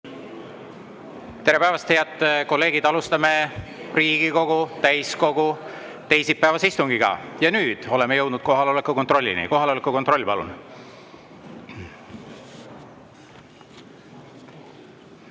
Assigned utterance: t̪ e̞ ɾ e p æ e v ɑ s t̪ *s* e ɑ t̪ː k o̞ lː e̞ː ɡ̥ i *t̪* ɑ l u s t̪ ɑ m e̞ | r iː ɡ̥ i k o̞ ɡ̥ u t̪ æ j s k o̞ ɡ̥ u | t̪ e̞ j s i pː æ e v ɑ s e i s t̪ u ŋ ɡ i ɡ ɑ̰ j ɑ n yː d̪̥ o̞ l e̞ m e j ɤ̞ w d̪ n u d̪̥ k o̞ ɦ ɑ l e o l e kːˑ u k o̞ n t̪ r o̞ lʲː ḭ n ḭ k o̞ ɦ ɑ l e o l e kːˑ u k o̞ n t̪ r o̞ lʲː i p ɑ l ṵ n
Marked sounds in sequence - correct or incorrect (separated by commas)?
incorrect, incorrect